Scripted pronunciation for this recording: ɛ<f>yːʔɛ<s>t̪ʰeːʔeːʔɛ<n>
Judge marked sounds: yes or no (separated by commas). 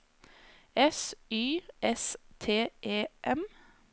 no, yes, no